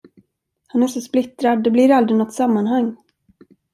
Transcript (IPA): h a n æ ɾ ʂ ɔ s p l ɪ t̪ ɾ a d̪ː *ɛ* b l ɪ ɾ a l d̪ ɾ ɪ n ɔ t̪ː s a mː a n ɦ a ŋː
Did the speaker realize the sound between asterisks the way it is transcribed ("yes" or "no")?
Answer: yes